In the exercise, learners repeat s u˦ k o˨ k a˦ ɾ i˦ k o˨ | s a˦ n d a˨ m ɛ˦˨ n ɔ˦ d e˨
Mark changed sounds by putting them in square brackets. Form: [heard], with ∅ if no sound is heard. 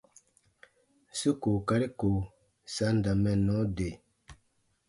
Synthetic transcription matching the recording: s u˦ k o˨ k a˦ ɾ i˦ k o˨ | s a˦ n d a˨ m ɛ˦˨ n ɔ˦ d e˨